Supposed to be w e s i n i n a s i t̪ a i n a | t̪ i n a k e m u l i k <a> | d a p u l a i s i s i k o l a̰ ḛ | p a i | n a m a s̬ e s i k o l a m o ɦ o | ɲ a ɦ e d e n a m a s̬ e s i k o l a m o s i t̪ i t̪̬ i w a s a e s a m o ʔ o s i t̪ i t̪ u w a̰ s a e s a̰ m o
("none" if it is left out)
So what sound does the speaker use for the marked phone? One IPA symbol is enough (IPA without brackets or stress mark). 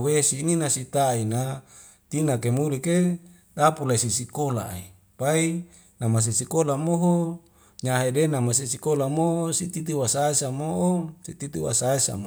e